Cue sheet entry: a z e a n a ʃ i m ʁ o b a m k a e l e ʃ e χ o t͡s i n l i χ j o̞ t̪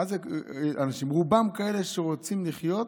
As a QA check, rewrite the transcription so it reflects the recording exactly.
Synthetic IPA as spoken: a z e a n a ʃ i m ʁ u b a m k a e l e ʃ e ʁ o t͡s i m l i χ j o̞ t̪